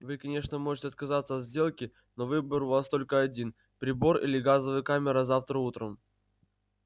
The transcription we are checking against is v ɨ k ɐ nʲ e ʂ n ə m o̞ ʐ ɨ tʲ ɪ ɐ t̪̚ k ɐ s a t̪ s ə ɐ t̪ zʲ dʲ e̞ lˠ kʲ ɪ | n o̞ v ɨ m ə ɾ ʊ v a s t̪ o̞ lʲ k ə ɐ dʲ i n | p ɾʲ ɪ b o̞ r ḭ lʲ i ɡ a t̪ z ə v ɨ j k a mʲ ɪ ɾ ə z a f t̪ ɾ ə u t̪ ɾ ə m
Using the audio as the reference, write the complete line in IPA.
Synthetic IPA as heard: v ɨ k ɐ nʲ e ʂ n ə m o̞ ʐ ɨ tʲ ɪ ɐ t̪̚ k ɐ z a t̪ s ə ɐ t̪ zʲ dʲ e̞ lˠ kʲ ɪ | n o̞ v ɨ b ə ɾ ʊ v a s t̪ o̞ lʲ k ə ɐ dʲ i n | p ɾʲ ɪ b o̞ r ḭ lʲ ɪ ɡ a z ə v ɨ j k a mʲ ɪ ɾ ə z a f t̪ ɾ ə u t̪ ɾ ə m

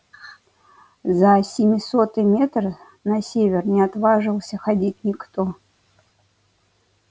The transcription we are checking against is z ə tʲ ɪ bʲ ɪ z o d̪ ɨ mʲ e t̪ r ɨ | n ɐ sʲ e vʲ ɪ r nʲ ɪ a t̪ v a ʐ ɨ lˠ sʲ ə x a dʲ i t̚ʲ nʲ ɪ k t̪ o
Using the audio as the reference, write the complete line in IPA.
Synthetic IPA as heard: z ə sʲ ɪ mʲ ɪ s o t̪ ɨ mʲ e t̪ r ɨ | n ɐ sʲ e vʲ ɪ r nʲ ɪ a t̪ v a ʐ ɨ lˠ sʲ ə x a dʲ i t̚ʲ nʲ ɪ k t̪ o

